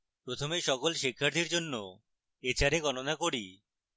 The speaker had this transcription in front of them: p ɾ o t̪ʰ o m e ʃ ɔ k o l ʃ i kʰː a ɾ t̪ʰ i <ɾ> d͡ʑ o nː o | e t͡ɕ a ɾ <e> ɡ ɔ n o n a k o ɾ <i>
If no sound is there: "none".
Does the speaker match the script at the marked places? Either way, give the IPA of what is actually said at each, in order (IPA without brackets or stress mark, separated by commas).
ɾ, e, i